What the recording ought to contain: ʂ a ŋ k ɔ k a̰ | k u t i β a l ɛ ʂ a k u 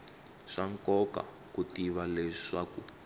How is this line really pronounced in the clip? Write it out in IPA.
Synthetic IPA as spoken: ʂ a ŋ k ɔ k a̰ | k u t i β a l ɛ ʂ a k u

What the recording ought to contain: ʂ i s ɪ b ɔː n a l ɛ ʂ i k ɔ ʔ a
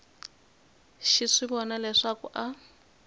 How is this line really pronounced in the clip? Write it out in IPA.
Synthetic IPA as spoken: ʃ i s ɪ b ɔ n a l ɛ ʂ a k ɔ ʔ a

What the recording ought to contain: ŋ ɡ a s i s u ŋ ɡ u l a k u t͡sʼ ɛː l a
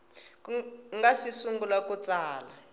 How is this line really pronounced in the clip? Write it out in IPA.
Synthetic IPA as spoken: ŋ ɡ a s i s u ŋ ɡ u l a k u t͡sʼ aː l a

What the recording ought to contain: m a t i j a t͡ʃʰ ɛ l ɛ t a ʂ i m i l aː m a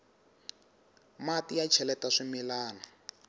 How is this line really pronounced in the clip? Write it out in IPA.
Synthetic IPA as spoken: m a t i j a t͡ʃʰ ɛ l ɛ t a ʂ i m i l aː n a

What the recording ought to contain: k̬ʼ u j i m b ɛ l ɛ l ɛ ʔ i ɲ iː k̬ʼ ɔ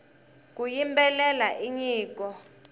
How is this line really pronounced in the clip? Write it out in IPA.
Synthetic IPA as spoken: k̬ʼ u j i m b ɛ l ɛ l a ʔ i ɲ iː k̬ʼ ɔ

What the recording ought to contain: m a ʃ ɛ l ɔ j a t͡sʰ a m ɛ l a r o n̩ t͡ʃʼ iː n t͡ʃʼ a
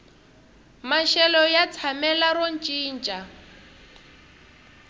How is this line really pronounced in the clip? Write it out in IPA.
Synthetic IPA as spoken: m a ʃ ɛ l ɔ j a t͡sʰ a m ɛ l a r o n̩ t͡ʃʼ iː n t͡ʃʼ a

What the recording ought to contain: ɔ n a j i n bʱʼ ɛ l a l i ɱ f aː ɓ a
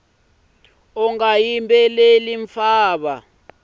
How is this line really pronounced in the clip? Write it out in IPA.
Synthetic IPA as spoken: ɔ ŋ a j i m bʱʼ ɛ l e l i ɱ f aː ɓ a

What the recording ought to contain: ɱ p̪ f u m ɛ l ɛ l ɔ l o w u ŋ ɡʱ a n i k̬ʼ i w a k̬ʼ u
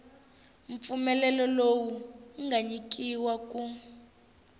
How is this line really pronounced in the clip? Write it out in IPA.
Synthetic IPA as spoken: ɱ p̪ f u m ɛ l ɛ l ɔ l o w u ŋ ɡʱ a ɲ i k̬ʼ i w a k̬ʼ u

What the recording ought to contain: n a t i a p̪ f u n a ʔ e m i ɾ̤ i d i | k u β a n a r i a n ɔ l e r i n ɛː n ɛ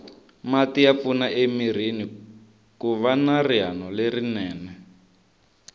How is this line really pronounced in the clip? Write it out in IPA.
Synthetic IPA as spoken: m a t i a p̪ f u n a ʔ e m i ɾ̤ i n i | k u β a n a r i a n ɔ l e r i n ɛː n ɛ

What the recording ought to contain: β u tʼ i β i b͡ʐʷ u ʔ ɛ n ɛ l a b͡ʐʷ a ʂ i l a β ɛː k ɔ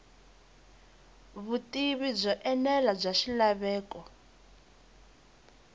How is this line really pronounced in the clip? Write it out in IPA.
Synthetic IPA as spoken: β u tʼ i β i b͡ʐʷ ɔ ʔ ɛ n ɛ l a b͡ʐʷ a ʃ i l a β ɛː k ɔ

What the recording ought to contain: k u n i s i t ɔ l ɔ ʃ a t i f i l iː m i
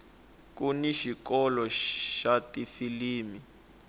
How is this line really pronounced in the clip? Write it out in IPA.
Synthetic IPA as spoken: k u n i ʃ i k ɔ l ɔ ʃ a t i f i l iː m i

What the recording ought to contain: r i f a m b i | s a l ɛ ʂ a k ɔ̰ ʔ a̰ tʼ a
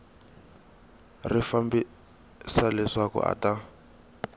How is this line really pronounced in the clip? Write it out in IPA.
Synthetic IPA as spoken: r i f a m b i | s a l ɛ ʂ a k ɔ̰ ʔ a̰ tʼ a

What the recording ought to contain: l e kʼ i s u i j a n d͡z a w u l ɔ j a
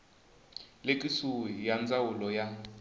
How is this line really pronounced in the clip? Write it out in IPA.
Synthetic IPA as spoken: l e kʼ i s u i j a n d͡z a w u l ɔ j a

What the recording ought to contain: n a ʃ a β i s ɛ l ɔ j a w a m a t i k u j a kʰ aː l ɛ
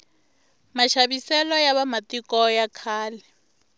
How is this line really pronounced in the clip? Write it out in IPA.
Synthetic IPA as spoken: m a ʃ a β i s ɛ l ɔ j a β a m a t i k ɔ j a kʰ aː l ɛ

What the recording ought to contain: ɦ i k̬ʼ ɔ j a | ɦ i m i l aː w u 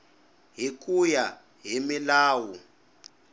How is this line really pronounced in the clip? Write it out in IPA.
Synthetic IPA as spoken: ɦ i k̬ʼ u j a | ɦ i m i l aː w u

